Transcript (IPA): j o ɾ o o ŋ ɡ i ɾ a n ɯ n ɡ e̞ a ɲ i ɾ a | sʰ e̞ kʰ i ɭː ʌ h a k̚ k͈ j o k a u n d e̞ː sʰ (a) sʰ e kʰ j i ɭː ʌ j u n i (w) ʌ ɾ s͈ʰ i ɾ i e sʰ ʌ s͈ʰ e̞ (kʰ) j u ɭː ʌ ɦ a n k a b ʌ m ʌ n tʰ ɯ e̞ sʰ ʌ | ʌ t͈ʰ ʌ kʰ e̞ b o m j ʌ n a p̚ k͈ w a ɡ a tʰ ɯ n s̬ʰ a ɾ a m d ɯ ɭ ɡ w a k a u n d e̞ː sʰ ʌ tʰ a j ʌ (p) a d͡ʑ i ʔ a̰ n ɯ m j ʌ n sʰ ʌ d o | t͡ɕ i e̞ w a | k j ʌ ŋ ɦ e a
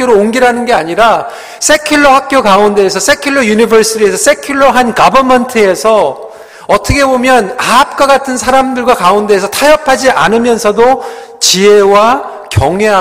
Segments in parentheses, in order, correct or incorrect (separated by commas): incorrect, incorrect, correct, incorrect